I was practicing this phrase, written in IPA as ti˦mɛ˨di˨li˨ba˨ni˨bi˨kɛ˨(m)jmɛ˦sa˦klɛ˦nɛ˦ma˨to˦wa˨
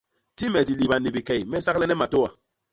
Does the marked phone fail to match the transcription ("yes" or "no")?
yes